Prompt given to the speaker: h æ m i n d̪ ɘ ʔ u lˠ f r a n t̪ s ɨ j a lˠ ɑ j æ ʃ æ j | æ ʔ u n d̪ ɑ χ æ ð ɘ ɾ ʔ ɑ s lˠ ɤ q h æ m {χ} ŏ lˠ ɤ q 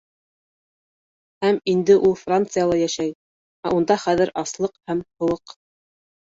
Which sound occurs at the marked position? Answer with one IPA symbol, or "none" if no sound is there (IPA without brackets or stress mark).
h